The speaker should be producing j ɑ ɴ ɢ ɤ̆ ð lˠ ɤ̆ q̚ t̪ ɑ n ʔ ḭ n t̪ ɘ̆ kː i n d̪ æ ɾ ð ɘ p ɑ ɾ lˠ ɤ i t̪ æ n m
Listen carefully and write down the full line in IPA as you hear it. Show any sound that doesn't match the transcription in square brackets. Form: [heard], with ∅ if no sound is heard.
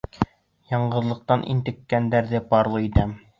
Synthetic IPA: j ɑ ɴ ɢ ɤ̆ ð lˠ ɤ̆ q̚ t̪ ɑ n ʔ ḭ n t̪ ɘ̆ kː [æ] n d̪ æ ɾ ð ɘ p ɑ ɾ lˠ ɤ i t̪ æ [∅] m